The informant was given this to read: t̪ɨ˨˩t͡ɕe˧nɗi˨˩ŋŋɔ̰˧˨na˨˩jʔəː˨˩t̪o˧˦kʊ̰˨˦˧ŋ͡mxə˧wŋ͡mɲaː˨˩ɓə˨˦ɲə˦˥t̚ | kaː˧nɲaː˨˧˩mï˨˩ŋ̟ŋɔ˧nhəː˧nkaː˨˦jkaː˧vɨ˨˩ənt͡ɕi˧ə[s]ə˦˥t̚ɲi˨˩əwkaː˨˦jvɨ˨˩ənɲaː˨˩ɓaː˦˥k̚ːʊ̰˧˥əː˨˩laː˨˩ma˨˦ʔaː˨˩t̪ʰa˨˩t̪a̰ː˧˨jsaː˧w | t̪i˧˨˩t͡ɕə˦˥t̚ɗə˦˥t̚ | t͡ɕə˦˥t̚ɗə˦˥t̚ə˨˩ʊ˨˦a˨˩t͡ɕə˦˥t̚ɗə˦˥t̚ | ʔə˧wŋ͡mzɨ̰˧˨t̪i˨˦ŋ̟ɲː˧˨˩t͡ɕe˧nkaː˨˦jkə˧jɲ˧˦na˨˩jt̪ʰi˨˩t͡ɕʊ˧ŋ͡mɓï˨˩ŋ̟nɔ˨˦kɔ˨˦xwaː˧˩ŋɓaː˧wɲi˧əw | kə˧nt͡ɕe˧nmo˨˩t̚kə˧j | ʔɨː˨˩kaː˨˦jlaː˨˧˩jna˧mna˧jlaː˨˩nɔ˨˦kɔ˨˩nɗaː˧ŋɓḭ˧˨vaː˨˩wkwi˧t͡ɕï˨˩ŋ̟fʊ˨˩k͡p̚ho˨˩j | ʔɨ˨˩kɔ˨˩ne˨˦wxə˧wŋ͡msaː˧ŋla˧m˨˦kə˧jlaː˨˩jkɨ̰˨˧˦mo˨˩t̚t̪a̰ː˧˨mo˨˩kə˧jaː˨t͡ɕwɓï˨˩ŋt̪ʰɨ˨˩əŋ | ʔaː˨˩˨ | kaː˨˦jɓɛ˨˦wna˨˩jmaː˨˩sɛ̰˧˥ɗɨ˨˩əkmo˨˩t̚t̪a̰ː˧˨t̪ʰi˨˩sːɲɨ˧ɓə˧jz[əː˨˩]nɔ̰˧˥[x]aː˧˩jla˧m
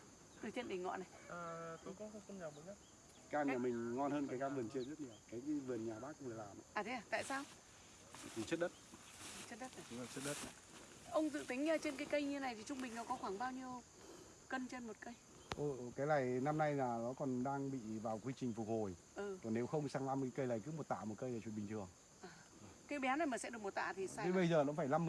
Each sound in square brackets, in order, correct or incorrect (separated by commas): incorrect, correct, incorrect